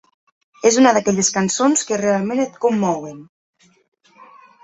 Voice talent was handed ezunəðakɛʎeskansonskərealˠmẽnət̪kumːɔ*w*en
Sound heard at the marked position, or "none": w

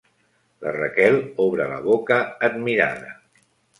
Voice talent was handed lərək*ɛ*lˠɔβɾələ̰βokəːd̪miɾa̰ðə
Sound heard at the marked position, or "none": ɛ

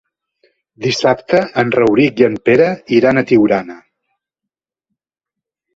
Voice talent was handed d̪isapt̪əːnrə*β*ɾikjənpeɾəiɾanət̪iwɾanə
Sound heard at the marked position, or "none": w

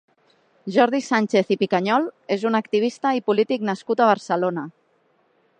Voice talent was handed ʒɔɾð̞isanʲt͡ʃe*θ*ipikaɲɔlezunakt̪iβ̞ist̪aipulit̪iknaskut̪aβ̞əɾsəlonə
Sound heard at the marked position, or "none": θ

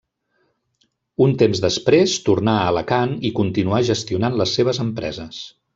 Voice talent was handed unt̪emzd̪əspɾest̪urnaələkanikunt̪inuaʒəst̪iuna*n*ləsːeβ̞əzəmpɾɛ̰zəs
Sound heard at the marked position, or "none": n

